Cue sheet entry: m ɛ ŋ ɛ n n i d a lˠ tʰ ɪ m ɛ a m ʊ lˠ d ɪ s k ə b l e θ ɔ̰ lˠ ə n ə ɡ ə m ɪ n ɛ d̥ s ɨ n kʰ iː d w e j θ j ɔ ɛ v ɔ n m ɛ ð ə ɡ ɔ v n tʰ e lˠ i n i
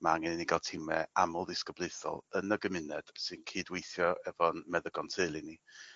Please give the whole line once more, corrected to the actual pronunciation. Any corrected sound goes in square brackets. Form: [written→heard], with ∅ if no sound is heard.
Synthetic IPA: m [ɛ→a] ŋ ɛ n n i [d→ɡ] a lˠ tʰ ɪ m ɛ a m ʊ lˠ d ɪ s k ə b l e θ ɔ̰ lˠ ə n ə ɡ ə m ɪ n ɛ d̥ s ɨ n kʰ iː d w e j θ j ɔ ɛ v ɔ n m ɛ ð ə ɡ ɔ [v→∅] n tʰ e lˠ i n i